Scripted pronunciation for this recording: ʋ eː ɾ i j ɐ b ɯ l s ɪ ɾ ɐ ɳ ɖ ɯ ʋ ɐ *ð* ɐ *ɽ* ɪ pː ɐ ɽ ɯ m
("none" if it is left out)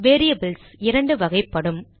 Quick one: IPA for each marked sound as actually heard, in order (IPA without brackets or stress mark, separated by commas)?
ɣ, none